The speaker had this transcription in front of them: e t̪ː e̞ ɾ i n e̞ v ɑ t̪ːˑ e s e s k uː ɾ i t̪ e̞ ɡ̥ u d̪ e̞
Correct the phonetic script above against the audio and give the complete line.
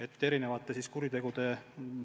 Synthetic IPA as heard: e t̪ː e̞ ɾ i n e̞ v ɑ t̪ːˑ e s i s k u ɾ i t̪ e̞ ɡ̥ u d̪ e̞